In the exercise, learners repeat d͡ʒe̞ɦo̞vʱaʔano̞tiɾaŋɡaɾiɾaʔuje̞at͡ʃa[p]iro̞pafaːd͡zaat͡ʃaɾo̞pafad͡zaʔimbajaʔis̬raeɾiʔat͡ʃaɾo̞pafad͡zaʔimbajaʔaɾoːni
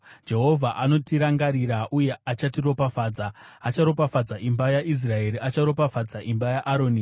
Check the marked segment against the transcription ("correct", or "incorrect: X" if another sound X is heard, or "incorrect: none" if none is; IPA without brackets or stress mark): incorrect: t